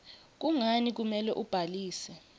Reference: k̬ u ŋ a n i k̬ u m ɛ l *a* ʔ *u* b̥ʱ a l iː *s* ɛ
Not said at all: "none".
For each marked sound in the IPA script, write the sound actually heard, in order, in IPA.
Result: ɛ, u, s

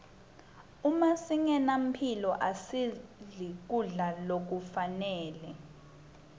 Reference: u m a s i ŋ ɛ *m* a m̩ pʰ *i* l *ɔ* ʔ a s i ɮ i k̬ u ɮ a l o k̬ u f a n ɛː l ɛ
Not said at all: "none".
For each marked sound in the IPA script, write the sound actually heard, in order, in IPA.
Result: n, i, ɔ

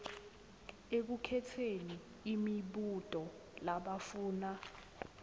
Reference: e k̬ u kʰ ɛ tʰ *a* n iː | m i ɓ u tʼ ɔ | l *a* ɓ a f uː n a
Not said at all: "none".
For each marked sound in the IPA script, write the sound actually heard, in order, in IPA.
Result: e, a

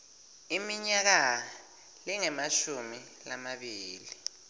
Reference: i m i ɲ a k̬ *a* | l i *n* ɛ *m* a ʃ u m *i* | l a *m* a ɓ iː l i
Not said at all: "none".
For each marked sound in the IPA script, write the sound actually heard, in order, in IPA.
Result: a, ŋ, m, i, m

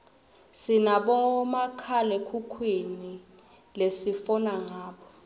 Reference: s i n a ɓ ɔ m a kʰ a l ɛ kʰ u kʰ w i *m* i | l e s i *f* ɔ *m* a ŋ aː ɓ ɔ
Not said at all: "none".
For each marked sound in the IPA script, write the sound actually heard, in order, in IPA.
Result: n, f, n

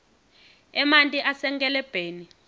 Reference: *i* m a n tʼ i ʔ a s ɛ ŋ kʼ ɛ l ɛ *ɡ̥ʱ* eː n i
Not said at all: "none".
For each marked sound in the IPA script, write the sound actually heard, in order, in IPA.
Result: ɛ, b̥ʱ

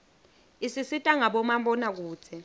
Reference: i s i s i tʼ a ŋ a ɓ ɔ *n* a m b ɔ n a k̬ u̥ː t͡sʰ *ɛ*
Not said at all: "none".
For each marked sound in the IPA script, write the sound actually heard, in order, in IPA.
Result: m, ɛ

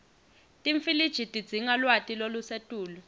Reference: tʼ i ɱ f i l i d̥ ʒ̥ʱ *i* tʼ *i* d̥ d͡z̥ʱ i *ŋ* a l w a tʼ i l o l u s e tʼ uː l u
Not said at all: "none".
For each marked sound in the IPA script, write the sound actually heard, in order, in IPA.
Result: i, i, ŋ

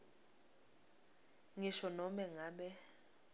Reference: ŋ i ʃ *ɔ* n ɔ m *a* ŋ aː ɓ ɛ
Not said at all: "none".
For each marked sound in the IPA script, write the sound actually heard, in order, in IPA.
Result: ɔ, ɛ

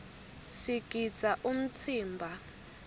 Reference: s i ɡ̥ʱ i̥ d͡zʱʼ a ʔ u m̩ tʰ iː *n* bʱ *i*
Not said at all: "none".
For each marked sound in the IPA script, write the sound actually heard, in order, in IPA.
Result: m, a

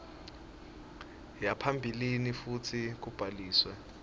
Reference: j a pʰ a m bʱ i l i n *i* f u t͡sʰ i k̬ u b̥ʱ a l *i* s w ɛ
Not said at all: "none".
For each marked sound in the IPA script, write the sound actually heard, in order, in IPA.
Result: i, iː

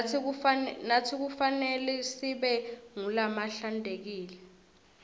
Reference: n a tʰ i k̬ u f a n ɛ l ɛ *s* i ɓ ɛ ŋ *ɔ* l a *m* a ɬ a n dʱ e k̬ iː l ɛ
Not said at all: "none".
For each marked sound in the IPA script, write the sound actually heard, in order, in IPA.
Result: s, u, m

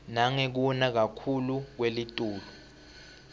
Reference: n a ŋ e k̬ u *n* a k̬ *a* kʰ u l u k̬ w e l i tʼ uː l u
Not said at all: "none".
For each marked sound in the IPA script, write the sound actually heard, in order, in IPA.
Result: n, a

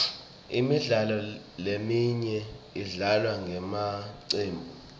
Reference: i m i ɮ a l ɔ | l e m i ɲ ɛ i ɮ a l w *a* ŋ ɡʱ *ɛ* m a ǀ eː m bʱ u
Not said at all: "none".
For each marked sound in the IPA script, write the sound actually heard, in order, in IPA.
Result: a, ɛ

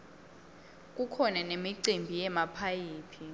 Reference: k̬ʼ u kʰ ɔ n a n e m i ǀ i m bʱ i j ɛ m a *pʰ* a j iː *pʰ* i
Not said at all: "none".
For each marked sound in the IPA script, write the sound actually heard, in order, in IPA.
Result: pʰ, pʰ

